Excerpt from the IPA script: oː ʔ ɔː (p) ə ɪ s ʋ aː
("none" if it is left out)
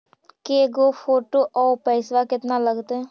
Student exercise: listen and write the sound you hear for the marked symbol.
p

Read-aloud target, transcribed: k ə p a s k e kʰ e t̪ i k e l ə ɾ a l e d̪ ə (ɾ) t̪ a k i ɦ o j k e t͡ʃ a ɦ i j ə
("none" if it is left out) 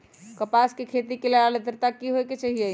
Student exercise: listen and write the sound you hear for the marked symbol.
ɾ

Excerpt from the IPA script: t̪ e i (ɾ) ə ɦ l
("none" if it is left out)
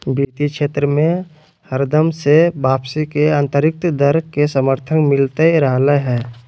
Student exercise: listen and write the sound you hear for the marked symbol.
ɾ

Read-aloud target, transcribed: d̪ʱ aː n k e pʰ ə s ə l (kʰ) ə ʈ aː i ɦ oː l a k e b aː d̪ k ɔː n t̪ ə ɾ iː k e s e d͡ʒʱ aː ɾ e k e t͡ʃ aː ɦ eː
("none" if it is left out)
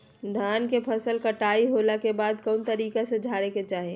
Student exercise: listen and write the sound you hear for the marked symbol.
k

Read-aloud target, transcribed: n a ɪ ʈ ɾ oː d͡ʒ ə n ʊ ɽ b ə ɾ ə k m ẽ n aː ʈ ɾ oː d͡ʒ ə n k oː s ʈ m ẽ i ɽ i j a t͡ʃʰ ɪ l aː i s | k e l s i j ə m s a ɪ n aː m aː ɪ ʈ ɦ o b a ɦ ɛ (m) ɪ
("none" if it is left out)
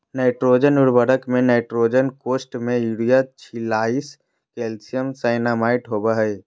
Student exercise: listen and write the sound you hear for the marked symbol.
none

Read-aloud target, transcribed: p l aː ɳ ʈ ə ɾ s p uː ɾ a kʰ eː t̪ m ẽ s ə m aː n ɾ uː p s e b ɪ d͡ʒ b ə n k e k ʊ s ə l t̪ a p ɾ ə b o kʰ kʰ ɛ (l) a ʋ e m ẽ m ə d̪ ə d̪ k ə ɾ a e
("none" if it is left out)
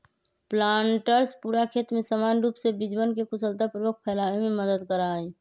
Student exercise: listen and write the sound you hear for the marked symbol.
l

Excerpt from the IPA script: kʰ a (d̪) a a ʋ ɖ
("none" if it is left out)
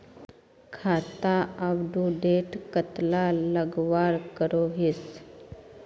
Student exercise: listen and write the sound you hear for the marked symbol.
t̪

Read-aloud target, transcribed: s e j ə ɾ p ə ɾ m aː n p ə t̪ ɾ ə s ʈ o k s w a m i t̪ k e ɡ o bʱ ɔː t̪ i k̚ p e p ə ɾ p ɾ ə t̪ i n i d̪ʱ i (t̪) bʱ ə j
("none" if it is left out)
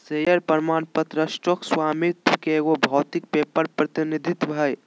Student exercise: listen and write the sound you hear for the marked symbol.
t̪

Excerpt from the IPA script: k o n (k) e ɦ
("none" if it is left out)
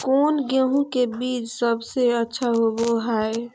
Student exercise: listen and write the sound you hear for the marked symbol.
ɡ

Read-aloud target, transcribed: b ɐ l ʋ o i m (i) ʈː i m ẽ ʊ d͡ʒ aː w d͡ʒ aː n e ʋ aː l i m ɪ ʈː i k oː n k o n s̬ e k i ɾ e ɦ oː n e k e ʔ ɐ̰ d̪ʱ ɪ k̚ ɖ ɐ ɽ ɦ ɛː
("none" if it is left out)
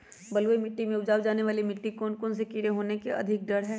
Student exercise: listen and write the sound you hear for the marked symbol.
ɪ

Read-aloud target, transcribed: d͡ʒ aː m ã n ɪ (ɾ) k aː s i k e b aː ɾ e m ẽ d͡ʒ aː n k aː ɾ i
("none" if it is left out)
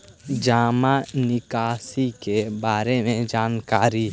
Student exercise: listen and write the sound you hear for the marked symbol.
none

